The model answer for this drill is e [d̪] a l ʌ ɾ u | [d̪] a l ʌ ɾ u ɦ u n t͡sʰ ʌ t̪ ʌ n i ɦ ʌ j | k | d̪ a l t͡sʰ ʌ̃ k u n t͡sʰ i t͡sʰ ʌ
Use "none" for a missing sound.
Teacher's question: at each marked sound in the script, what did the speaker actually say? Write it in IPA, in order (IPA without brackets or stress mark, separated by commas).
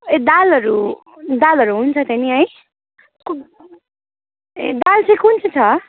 d̪, d̪